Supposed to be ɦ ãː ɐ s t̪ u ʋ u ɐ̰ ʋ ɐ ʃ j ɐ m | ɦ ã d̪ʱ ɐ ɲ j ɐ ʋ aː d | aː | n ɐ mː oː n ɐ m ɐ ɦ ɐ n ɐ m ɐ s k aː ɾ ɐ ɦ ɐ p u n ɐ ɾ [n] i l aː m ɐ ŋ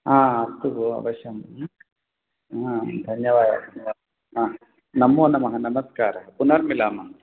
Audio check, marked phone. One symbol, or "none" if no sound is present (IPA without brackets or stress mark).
m